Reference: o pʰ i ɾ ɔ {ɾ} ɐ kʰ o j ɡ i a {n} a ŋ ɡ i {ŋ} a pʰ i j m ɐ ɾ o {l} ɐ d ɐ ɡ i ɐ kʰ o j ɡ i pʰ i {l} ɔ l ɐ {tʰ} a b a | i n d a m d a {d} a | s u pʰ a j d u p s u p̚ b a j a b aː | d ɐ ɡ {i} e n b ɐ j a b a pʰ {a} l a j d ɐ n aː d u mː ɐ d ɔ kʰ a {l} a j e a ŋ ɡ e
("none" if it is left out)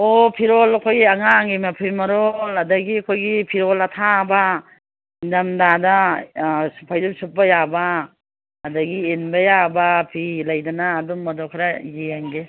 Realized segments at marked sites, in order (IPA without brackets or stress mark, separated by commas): l, ŋ, m, l, ɾ, tʰ, d, i, i, ɾ